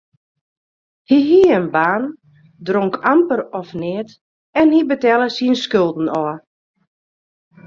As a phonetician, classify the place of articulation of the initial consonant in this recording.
glottal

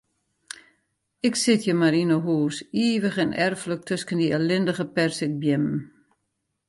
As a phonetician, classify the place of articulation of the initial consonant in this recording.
velar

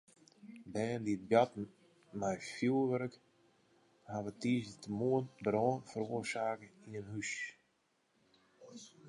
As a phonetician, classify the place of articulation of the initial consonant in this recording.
labial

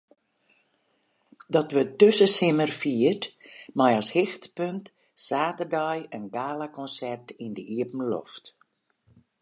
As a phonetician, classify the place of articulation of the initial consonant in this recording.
alveolar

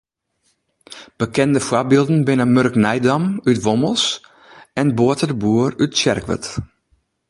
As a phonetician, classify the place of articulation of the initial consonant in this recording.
labial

